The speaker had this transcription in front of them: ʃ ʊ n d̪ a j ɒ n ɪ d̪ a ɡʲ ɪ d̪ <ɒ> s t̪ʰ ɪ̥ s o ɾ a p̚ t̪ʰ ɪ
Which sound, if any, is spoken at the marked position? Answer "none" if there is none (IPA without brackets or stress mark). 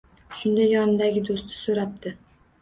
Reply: o